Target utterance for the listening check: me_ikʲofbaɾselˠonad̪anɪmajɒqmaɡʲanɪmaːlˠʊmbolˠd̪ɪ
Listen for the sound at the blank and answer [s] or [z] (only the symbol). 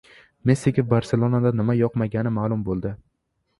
s